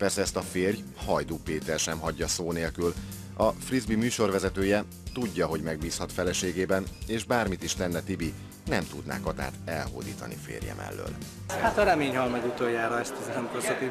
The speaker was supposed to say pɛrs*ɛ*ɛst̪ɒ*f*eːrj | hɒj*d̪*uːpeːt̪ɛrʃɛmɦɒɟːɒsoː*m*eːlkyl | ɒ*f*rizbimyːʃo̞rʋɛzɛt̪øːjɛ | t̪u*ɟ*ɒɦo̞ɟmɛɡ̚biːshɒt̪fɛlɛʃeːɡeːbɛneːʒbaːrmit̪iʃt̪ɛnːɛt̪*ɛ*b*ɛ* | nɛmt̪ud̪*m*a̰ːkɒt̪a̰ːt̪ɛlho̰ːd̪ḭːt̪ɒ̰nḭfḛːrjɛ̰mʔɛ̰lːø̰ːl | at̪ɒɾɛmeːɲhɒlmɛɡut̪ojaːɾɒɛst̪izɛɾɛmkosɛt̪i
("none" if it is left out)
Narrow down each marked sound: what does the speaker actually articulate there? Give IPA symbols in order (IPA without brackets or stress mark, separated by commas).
ɛ, f, d̪, n, f, ɟː, i, i, n